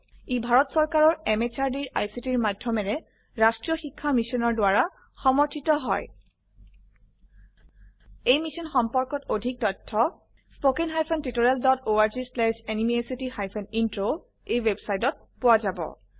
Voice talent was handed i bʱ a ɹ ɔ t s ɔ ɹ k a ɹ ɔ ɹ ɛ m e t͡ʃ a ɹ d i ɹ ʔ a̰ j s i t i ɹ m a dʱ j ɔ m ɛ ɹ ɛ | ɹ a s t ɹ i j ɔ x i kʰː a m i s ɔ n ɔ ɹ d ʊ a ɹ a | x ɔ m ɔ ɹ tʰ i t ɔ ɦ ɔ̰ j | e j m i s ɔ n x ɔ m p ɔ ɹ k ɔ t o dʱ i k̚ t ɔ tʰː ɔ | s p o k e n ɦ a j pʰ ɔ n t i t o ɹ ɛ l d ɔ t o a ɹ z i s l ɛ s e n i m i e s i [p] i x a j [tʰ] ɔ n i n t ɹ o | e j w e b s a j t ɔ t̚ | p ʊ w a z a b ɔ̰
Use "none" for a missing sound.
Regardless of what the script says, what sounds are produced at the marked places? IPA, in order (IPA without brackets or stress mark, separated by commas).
t, pʰ